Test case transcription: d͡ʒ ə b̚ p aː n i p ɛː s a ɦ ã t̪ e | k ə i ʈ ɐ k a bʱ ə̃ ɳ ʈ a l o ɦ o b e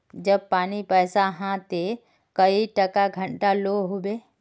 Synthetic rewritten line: d͡ʒ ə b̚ p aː n i p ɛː s a ɦ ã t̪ e | k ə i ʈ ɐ k a ɡʱ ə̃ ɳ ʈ a l o ɦ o b e